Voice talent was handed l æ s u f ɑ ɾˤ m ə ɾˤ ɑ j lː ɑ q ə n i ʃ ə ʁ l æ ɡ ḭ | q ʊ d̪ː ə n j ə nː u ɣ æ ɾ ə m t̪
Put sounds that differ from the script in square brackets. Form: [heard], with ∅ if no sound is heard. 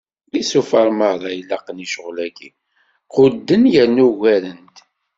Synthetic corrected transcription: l [i] s u f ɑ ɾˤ m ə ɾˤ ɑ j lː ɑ q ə n i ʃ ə ʁ l æ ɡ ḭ | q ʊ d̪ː ə n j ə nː u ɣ æ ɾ ə [n] t̪